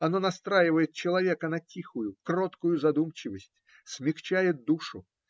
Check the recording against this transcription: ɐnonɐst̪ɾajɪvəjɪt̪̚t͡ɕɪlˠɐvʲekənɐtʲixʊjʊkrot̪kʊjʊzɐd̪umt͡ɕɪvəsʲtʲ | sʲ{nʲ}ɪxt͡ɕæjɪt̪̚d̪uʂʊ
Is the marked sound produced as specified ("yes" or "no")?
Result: no